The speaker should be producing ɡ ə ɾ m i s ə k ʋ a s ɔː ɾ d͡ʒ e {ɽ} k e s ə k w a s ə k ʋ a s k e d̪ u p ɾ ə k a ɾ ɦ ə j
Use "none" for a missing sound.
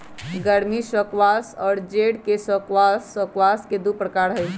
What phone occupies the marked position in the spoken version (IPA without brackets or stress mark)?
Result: ɽ